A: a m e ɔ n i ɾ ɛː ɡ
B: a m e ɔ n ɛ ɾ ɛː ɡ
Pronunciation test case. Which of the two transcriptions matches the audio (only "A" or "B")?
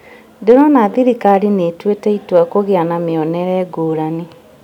B